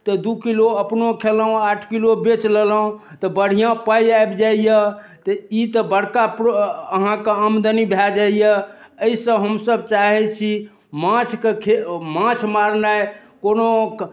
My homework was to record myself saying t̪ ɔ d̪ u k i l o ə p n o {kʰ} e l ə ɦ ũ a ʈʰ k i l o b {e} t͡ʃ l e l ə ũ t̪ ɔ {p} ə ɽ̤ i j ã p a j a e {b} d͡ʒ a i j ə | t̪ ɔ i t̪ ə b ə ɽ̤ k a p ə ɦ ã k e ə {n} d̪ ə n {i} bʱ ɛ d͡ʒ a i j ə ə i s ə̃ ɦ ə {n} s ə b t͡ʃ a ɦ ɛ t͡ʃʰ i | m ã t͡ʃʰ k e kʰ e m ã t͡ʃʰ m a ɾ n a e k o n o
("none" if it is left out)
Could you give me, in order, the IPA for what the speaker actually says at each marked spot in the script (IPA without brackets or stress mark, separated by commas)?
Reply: kʰ, e, b, b, m, i, m